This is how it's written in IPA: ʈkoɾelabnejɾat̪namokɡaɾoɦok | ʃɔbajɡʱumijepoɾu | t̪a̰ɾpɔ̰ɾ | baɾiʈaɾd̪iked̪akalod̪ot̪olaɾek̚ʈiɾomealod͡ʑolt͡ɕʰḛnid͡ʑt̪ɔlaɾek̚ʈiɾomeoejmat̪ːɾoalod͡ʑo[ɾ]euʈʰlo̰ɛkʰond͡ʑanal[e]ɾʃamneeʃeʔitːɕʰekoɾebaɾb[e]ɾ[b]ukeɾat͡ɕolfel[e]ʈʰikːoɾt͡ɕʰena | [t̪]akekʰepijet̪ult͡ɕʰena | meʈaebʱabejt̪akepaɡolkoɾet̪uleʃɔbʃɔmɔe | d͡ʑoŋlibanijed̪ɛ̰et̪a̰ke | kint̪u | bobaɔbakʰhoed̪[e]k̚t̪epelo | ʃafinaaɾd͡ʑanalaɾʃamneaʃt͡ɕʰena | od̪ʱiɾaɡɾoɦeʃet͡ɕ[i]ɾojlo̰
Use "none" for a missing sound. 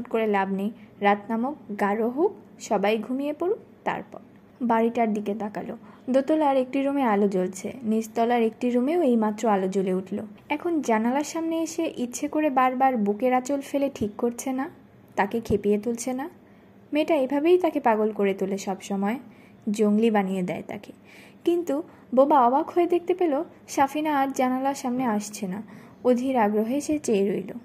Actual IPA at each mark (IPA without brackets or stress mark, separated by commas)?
l, a, a, b, e, t̪, e, e